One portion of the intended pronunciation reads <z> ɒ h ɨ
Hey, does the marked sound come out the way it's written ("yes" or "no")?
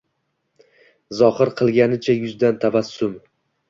yes